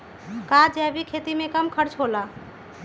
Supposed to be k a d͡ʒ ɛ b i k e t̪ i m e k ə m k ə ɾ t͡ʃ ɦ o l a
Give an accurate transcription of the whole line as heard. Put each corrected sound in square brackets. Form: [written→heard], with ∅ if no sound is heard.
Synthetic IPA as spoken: k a d͡ʒ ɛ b i [k→kʰ] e t̪ i m e k ə m [k→kʰ] ə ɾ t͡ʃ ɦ o l a